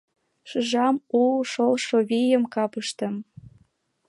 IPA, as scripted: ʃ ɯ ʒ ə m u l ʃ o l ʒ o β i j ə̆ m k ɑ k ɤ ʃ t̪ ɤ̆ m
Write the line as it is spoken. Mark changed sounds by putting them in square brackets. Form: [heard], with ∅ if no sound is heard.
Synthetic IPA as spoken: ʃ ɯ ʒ [ɑ] m u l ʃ o l [ʃ] o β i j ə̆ m k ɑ [p] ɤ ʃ t̪ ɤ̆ m